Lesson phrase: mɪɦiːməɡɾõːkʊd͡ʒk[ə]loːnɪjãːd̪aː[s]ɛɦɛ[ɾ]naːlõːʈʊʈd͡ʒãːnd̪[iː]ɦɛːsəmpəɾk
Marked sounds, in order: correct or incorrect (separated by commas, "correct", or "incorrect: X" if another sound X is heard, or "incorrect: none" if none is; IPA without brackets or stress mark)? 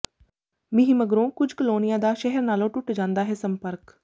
correct, incorrect: ʃ, correct, incorrect: aː